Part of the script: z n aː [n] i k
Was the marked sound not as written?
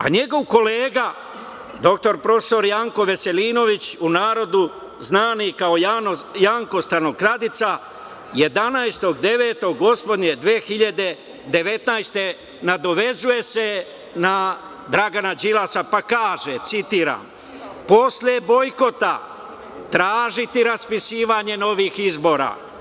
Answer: no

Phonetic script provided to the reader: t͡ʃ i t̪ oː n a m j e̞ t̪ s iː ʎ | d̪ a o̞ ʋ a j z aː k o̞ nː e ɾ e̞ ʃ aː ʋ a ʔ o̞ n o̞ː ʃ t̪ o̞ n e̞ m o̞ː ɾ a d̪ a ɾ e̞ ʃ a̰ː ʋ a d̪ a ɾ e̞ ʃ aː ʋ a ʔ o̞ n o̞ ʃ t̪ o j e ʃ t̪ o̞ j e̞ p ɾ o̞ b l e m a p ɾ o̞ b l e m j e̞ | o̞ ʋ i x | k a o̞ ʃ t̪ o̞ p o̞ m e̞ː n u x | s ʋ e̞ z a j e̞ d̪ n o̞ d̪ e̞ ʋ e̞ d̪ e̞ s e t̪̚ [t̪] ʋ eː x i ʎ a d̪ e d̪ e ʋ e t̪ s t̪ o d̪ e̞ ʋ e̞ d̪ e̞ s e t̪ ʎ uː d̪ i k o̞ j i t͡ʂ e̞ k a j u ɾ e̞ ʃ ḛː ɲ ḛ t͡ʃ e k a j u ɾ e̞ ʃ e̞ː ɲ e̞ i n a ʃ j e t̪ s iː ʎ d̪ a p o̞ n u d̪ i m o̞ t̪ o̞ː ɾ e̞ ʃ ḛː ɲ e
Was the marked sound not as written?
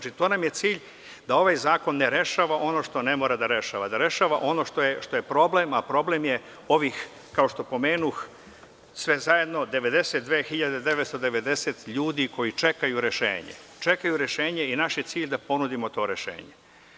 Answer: yes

